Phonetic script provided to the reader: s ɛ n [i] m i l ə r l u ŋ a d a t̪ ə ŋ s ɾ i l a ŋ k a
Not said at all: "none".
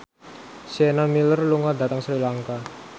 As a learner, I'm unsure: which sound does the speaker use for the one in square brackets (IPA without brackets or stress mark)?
a